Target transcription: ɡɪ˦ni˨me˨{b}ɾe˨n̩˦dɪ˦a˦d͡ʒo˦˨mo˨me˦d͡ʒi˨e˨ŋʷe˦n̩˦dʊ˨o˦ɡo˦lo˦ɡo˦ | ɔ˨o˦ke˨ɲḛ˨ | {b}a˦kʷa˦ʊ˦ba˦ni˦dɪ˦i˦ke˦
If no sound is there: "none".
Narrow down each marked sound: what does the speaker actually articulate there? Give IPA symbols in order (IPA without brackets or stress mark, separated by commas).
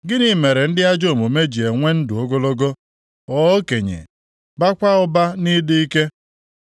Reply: none, b